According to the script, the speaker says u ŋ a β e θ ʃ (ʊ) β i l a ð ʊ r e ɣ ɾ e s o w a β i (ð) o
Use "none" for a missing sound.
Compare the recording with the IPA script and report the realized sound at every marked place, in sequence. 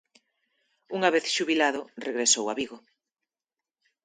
u, ɣ

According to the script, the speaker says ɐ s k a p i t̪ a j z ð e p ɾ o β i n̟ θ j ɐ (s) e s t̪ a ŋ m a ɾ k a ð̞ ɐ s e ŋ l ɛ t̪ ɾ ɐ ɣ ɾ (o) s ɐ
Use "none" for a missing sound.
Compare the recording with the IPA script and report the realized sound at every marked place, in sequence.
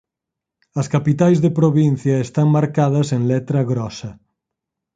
none, ɔ

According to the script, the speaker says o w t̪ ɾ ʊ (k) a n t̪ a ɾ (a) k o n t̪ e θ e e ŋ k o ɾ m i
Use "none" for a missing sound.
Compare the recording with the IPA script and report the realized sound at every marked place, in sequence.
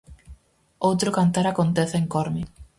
k, a

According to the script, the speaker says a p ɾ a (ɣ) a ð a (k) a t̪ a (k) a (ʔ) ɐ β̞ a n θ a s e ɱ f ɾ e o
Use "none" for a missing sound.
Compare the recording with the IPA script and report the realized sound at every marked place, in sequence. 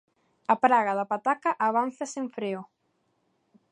ɣ, p, k, ʔ

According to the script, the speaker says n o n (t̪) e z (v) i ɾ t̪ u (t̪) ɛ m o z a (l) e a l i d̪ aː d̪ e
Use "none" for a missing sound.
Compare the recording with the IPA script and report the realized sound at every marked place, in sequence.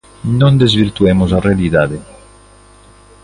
d̪, v, none, r

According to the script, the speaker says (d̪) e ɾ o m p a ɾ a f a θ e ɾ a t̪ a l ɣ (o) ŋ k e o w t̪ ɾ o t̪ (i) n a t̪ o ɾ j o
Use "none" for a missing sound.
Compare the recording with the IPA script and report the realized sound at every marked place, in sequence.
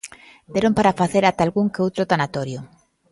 d̪, u, a

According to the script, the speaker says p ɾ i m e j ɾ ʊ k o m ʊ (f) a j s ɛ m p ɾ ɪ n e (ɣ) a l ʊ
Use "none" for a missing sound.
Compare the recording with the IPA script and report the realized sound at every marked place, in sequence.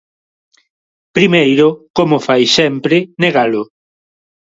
f, ɣ

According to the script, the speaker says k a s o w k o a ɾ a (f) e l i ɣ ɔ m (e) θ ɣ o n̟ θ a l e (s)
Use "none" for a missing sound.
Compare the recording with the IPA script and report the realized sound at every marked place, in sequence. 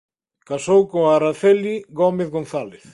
θ, e, θ

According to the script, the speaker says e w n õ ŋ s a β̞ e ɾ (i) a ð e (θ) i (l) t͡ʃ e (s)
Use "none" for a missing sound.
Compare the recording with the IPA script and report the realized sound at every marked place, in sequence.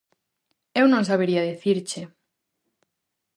i, θ, ɾ, none

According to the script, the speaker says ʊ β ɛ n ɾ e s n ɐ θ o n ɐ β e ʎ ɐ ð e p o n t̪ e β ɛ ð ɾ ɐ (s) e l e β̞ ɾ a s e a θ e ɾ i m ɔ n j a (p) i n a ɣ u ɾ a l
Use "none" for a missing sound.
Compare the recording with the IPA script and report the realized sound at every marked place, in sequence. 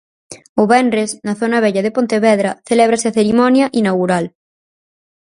θ, ʔ

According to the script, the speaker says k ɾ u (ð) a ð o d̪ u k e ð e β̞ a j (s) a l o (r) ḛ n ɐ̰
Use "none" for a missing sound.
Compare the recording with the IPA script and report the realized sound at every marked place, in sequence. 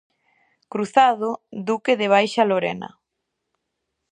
θ, ʃ, ɾ

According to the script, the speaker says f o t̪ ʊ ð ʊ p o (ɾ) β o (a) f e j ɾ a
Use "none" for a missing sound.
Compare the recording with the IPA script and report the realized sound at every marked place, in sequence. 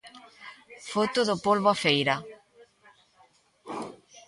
l, a

